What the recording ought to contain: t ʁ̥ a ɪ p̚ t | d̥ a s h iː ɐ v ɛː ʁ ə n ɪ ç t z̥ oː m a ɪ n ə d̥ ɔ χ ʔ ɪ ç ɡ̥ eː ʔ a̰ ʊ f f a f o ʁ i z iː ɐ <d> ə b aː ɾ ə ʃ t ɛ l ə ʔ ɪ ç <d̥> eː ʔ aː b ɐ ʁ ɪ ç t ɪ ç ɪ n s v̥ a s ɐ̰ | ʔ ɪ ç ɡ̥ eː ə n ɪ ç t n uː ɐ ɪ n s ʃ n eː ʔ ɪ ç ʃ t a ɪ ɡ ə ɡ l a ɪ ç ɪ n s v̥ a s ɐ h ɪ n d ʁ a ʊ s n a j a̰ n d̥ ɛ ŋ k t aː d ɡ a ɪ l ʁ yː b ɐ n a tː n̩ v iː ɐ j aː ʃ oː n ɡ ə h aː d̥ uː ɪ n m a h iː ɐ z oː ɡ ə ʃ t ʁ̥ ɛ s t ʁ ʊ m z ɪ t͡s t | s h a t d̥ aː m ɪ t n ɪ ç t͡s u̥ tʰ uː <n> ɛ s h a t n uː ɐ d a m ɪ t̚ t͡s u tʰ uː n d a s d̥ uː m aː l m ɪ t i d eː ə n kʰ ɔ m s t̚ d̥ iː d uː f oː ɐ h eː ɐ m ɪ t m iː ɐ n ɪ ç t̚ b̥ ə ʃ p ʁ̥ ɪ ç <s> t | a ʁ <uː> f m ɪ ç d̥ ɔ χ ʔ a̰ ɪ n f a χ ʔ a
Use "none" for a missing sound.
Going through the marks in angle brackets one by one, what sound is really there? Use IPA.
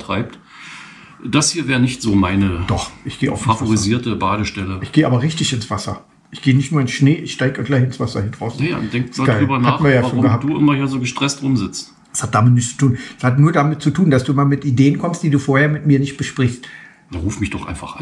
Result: t, ɡ̥, n, s, uː

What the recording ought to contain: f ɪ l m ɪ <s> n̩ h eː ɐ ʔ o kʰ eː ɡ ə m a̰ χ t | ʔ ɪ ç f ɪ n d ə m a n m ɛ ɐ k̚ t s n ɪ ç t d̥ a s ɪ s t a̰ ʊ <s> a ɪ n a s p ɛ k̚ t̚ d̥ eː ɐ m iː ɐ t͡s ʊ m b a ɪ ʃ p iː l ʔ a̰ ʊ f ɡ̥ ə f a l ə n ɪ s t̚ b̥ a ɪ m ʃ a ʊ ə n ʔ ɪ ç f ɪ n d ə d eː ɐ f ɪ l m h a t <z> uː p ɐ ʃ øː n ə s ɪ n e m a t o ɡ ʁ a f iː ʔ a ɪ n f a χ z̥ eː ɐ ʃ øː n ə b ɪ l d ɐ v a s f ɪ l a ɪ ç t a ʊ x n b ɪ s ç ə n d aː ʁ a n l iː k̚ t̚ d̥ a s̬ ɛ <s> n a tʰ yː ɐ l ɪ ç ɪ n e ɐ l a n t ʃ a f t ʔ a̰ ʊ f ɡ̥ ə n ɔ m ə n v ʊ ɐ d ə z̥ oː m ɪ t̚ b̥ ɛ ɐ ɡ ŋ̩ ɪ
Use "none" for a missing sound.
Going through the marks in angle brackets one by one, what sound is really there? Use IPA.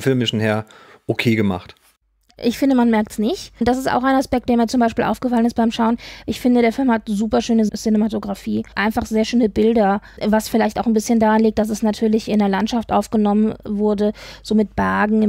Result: ʃ, x, z, s

